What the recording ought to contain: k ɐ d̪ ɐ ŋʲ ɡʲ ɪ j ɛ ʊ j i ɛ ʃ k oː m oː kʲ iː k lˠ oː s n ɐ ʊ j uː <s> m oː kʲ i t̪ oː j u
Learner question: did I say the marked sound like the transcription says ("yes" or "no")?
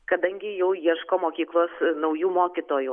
no